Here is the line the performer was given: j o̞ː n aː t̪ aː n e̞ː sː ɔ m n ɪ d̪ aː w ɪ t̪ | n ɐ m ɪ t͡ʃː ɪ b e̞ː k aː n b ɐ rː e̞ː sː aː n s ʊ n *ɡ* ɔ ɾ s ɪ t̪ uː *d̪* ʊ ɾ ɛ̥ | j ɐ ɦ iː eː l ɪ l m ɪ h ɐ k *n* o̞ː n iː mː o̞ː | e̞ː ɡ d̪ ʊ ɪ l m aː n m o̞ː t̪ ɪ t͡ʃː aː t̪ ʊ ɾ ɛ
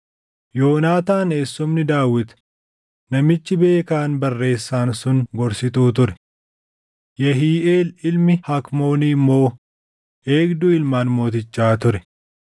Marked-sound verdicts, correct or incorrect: correct, incorrect: t̪, incorrect: m

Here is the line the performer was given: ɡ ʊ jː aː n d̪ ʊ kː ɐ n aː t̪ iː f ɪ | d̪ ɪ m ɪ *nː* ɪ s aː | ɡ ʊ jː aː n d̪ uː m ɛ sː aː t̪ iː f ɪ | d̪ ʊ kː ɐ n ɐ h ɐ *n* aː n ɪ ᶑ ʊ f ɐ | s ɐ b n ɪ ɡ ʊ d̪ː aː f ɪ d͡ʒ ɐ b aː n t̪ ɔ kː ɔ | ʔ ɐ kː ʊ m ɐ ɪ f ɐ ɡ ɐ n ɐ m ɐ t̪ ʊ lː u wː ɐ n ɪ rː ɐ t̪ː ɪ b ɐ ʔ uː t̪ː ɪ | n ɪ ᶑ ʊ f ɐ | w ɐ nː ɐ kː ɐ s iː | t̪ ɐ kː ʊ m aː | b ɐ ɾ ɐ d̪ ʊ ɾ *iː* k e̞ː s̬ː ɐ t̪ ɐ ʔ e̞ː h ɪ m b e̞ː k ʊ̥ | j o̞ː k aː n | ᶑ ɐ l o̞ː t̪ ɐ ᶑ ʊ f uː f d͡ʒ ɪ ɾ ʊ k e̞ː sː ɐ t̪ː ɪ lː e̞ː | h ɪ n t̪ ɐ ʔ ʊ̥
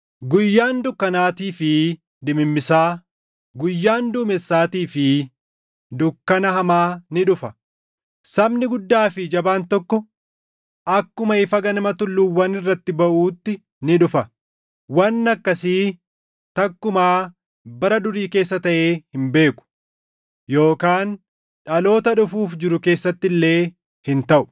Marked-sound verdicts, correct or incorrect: incorrect: mː, incorrect: m, correct

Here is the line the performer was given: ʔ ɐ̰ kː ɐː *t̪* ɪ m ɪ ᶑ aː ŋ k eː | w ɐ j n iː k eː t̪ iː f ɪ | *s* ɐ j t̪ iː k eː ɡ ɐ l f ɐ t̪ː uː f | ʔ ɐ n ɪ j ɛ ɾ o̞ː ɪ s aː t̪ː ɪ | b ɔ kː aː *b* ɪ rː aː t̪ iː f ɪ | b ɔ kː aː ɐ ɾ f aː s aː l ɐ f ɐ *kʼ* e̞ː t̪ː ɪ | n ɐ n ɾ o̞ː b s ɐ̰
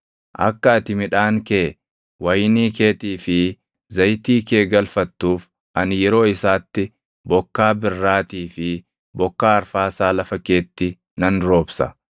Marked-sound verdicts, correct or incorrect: correct, incorrect: z, correct, incorrect: k

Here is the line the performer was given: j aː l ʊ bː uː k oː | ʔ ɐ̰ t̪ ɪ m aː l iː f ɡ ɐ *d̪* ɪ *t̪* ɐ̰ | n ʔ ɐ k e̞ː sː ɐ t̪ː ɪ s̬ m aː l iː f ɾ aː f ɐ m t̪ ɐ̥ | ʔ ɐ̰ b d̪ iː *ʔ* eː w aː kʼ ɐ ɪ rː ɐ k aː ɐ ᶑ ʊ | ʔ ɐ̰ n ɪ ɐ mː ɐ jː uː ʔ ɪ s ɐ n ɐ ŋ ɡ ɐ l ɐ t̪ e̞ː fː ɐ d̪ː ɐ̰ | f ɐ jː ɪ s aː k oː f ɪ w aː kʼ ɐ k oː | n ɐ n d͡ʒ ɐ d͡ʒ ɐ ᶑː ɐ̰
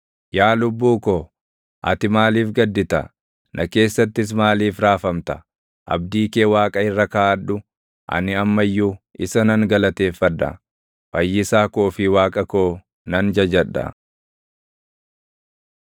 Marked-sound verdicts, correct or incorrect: incorrect: d̪ː, correct, incorrect: k

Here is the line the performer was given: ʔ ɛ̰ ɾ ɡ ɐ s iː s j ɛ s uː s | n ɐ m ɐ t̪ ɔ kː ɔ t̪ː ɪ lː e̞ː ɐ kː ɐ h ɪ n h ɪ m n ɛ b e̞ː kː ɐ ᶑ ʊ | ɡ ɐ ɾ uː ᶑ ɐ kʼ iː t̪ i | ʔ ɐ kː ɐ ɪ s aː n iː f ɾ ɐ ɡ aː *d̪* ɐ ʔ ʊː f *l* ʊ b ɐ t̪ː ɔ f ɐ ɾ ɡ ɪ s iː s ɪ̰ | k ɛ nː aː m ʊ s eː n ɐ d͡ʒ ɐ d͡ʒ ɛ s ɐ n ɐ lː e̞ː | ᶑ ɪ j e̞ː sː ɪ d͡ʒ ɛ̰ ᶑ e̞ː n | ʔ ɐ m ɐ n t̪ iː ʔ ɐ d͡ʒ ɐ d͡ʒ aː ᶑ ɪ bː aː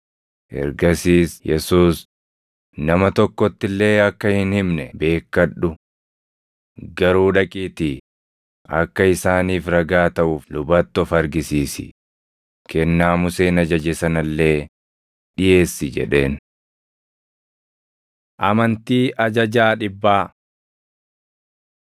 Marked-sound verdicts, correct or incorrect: incorrect: t̪, correct

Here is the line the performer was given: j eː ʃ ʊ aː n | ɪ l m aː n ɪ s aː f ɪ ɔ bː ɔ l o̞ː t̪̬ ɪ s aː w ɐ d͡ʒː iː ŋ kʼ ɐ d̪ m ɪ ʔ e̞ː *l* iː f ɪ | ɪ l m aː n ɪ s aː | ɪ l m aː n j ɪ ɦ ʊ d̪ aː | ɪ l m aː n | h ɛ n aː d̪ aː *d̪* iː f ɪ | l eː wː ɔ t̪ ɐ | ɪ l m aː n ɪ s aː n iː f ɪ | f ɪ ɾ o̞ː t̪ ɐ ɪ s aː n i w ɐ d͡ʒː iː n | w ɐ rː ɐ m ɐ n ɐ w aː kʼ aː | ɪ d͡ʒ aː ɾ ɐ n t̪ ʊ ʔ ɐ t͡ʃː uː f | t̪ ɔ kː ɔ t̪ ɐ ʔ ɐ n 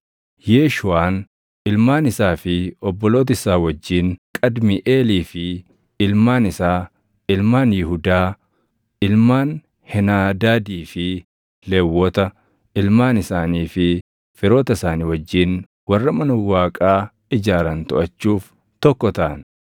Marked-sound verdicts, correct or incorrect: correct, correct

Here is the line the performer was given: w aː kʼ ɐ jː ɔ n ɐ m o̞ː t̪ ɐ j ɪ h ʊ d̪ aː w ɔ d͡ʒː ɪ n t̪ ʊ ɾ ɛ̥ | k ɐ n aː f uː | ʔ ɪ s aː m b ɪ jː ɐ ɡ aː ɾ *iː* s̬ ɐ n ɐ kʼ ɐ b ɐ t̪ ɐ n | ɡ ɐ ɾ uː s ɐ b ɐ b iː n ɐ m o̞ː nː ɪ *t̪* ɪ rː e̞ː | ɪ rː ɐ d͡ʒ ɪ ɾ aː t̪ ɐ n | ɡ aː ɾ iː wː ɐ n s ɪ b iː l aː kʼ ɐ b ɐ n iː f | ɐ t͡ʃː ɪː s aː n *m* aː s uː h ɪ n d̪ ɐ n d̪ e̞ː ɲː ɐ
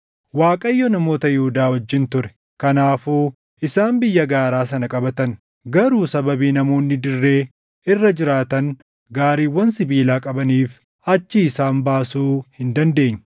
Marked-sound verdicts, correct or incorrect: incorrect: aː, incorrect: d̪, incorrect: b

